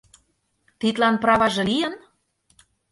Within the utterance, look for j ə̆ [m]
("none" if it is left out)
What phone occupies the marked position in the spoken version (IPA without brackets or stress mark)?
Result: n